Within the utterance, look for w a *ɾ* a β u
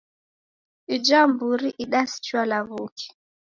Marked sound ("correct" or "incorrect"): incorrect